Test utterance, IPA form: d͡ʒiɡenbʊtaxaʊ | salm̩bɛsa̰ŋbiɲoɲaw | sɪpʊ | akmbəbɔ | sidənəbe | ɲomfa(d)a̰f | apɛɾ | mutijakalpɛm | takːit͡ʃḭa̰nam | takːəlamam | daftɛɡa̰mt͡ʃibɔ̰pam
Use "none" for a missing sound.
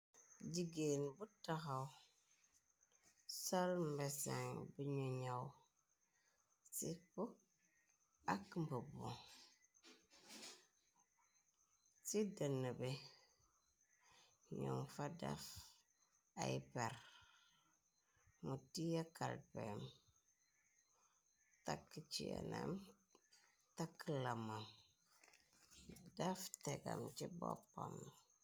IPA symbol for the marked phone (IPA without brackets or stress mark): d